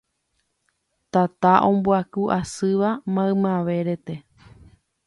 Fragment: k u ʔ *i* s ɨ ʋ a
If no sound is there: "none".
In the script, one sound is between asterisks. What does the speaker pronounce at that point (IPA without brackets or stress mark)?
a